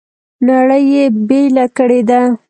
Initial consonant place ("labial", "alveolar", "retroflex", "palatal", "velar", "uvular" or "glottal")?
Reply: alveolar